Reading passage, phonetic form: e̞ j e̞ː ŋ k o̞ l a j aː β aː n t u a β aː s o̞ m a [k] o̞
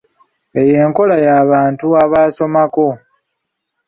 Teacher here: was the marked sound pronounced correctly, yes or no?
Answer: yes